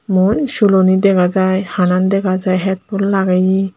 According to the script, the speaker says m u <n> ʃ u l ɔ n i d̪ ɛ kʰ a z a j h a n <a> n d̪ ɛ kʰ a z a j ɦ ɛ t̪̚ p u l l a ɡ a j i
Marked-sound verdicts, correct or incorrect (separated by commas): correct, correct